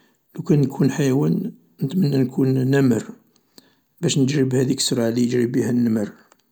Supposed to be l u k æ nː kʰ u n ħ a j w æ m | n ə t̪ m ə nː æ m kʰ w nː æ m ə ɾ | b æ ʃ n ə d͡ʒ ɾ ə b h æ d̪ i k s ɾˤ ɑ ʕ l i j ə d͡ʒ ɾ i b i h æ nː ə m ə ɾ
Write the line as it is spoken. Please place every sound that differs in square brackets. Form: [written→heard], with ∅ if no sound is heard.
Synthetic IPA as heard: l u k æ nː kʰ u n ħ a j w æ [m→n] | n ə t̪ m ə nː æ [m→n] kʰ [w→u] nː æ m ə ɾ | b æ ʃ n ə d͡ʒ ɾ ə b h æ d̪ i k s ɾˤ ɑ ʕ l i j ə d͡ʒ ɾ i b i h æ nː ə m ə ɾ